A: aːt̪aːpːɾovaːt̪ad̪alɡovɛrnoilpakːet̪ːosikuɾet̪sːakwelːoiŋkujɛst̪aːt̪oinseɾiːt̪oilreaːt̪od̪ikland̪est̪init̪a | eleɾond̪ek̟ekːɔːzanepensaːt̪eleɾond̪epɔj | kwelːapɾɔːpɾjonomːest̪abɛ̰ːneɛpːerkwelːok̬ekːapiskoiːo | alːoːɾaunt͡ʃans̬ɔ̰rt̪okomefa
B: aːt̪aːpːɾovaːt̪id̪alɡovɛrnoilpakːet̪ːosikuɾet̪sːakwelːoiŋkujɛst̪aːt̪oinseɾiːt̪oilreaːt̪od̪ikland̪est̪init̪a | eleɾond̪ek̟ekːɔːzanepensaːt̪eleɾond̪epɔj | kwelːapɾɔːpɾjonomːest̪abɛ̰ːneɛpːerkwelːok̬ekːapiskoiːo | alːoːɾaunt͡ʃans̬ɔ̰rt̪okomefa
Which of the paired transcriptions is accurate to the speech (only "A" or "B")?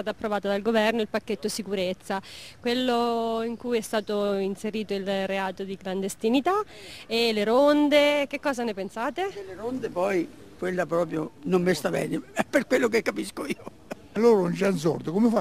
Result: A